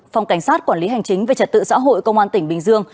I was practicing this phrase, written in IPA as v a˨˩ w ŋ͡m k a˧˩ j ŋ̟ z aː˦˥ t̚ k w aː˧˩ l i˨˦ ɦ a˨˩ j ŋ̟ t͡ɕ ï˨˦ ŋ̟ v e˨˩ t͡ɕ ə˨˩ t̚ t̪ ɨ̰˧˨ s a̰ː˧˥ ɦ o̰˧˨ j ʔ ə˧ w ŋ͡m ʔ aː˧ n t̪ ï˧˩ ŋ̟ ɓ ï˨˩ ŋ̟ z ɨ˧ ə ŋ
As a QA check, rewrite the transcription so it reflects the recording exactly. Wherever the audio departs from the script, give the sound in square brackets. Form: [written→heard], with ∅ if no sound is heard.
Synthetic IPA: [v→f] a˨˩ w ŋ͡m k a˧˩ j ŋ̟ [z→s] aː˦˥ t̚ k w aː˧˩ l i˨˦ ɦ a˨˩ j ŋ̟ t͡ɕ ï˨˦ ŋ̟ v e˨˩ t͡ɕ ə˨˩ t̚ t̪ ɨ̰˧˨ s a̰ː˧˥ ɦ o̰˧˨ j [ʔ→k] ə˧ w ŋ͡m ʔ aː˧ n t̪ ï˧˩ ŋ̟ ɓ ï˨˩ ŋ̟ z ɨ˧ ə ŋ